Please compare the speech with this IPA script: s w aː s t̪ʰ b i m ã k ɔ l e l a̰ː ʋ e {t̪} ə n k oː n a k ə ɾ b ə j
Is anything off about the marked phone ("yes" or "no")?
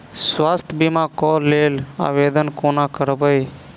yes